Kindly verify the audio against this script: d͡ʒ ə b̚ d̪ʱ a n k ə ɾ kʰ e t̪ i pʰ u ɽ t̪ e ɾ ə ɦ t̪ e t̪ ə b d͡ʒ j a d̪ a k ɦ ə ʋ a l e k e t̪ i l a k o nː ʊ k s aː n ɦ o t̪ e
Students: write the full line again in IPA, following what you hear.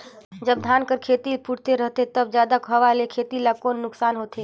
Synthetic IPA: d͡ʒ ə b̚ d̪ʱ a n k ə ɾ kʰ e t̪ i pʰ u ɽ t̪ e ɾ ə ɦ t̪ e t̪ ə b d͡ʒ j a d̪ a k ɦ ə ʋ a l e kʰ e t̪ i l a k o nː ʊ k s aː n ɦ o t̪ e